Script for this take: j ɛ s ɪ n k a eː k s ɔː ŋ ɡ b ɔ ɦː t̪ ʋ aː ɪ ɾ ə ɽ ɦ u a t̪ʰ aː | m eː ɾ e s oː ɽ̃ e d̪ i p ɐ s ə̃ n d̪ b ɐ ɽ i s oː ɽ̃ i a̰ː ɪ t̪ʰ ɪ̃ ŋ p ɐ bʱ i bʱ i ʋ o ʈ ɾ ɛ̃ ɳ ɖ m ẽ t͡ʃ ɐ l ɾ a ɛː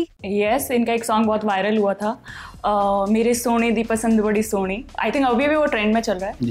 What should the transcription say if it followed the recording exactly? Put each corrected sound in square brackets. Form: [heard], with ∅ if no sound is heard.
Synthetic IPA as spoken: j ɛ s ɪ n k a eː k s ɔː ŋ ɡ b ɔ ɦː t̪ ʋ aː ɪ ɾ ə [l] ɦ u a t̪ʰ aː | m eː ɾ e s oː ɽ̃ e d̪ i p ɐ s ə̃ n d̪ b ɐ ɽ i s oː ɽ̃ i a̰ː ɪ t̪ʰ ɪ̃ ŋ [k] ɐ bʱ i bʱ i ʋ o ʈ ɾ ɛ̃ ɳ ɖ m ẽ t͡ʃ ɐ l ɾ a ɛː